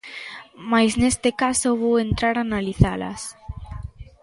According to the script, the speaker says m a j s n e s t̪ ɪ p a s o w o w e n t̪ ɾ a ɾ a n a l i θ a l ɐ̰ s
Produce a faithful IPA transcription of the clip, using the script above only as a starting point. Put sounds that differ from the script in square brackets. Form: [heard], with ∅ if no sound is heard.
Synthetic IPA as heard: m a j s n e s t̪ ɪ [k] a s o [β] o w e n t̪ ɾ a ɾ a n a l i θ a l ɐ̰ s